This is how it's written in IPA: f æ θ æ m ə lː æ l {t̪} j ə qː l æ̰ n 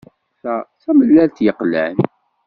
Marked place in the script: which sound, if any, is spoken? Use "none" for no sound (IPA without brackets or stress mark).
t̪